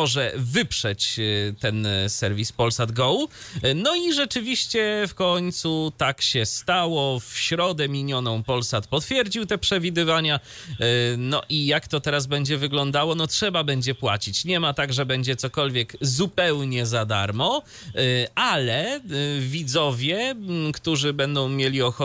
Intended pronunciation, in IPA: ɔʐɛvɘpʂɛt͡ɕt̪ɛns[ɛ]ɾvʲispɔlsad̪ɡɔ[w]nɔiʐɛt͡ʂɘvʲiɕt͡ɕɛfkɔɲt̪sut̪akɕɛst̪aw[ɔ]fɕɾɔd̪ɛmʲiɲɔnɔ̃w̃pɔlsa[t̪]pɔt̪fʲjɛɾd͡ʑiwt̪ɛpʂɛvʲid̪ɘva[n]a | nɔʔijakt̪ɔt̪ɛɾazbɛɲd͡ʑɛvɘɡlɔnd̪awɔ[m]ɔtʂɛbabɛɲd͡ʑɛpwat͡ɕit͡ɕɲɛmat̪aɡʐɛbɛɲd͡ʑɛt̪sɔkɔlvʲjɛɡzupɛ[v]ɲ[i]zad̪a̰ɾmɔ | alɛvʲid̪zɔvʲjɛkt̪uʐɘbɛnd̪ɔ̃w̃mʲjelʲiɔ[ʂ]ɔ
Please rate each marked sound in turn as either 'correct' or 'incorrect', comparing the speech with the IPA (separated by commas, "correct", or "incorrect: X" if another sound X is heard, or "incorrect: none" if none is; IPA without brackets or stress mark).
correct, correct, correct, correct, incorrect: ɲ, incorrect: n, incorrect: w, incorrect: ɛ, incorrect: x